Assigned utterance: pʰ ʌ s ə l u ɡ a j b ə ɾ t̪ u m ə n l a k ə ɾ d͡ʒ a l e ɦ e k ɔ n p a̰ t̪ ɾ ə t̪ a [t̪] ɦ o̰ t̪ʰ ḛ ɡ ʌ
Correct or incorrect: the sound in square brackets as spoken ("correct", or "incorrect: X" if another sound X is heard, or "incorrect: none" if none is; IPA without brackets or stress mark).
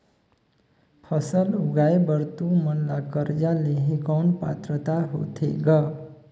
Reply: incorrect: none